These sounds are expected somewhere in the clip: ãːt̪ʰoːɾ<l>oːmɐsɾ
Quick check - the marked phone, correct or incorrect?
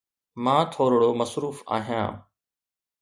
incorrect